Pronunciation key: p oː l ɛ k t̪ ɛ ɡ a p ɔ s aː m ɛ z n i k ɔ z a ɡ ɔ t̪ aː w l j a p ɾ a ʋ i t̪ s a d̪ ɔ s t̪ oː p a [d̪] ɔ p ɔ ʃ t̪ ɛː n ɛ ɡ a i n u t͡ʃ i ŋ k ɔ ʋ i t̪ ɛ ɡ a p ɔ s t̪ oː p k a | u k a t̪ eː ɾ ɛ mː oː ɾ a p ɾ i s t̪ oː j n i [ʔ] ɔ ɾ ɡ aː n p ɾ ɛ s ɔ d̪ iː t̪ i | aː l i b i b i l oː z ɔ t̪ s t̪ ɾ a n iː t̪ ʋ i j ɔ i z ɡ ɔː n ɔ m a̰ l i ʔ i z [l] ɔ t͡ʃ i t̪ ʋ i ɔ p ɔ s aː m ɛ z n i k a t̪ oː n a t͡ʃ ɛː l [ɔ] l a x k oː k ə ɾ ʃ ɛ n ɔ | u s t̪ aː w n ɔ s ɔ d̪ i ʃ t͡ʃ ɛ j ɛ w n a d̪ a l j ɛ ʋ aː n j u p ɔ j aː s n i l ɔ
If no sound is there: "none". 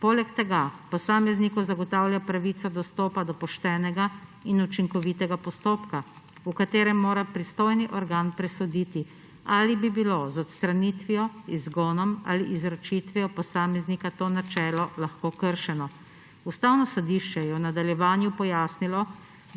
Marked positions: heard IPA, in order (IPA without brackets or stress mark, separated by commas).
d̪, ʔ, ɾ, ɔ